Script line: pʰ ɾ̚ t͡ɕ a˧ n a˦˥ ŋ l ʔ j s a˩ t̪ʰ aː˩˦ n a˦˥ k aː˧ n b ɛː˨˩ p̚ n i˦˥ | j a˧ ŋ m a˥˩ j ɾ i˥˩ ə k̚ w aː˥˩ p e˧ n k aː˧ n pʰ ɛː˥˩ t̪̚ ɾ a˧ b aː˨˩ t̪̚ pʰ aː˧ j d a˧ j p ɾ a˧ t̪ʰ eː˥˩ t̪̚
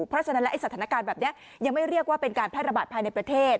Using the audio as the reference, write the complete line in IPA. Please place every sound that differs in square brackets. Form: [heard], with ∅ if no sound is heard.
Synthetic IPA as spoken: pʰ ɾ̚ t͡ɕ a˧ n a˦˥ [∅] l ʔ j s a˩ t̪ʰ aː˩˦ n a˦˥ k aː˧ n b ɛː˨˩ p̚ n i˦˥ | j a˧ ŋ m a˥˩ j ɾ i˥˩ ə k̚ w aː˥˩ p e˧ n k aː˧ n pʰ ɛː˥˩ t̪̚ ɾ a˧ b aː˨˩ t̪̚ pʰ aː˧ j [n] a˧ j p ɾ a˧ t̪ʰ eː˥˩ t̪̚

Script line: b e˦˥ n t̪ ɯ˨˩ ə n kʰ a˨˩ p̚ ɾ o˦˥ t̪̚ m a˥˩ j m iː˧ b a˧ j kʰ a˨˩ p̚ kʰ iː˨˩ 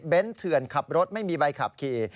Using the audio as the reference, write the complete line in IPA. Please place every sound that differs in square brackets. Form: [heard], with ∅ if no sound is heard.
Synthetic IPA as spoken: b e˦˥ n [t̪ʰ] ɯ˨˩ ə n kʰ a˨˩ p̚ ɾ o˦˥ t̪̚ m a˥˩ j m iː˧ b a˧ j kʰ a˨˩ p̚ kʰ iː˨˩

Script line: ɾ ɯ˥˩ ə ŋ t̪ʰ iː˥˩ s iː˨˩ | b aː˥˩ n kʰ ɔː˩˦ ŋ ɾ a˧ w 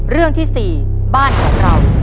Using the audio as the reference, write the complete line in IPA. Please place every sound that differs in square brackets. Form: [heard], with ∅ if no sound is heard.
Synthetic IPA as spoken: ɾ ɯ˥˩ ə ŋ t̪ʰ iː˥˩ s iː˨˩ | b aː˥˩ n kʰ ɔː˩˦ ŋ ɾ a˧ w

